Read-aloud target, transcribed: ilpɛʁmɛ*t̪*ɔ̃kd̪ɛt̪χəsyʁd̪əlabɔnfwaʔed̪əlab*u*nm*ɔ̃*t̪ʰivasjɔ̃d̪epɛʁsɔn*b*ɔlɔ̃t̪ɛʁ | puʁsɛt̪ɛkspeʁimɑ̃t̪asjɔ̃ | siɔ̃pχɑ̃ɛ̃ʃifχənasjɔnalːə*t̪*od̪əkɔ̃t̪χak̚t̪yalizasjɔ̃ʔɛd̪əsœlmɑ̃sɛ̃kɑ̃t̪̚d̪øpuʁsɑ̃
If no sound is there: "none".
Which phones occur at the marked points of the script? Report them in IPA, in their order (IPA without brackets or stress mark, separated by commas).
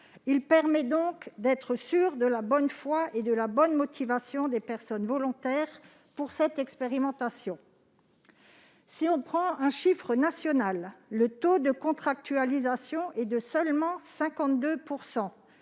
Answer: d̪, ɔ, ɔ, v, t̪